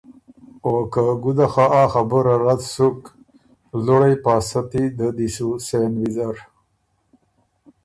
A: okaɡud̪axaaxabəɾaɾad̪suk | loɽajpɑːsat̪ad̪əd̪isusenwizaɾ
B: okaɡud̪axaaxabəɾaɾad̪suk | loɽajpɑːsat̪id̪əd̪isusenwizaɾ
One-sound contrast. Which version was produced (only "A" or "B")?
B